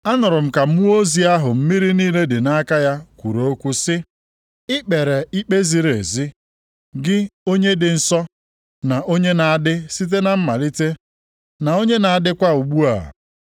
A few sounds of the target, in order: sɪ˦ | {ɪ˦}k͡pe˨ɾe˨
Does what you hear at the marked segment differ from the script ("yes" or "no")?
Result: no